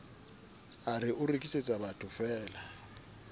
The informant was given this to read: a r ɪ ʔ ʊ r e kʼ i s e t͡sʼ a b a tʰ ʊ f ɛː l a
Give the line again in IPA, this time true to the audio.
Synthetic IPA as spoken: a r ɪ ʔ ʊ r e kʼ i s e t͡sʼ a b a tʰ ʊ f ɛː l a